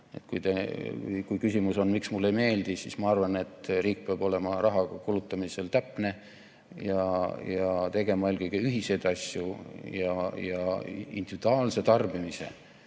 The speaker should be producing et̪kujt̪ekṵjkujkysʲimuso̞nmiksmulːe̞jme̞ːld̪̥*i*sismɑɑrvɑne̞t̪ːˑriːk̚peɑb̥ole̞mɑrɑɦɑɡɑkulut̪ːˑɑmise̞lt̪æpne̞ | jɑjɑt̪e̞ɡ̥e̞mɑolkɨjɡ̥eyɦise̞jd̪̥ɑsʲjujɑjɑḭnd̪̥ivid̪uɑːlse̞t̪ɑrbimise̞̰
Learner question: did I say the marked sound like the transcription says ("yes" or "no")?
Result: yes